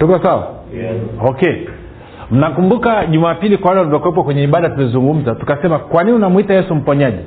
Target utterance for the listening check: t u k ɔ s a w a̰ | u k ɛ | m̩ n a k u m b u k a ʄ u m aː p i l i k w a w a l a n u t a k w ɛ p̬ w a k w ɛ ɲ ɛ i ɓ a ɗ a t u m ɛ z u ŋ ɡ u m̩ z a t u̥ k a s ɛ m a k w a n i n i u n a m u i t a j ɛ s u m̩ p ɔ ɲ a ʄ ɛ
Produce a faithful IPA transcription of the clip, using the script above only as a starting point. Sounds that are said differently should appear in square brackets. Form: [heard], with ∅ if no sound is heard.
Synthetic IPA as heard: t u k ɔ s a w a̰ | [ɔ] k ɛ | m̩ n a k u m b u k a ʄ u m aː p i l i k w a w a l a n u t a k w ɛ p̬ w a k w ɛ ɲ ɛ i ɓ a ɗ a t u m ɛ z u ŋ ɡ u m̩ z a t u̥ k a s ɛ m a k w a n i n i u n a m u i t a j ɛ s u m̩ p ɔ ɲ a ʄ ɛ